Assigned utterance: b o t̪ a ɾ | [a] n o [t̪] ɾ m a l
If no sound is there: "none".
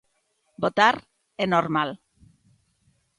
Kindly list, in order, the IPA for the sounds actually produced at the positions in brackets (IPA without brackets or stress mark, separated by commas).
e, none